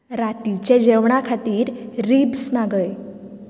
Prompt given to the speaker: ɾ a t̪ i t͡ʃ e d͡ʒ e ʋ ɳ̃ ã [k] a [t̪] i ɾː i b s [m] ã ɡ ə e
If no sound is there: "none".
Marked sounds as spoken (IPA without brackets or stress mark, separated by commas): kʰ, t̪, m